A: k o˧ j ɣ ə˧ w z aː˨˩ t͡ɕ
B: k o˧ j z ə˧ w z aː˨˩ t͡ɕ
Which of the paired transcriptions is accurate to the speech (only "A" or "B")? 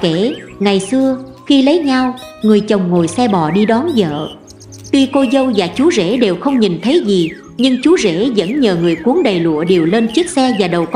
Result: B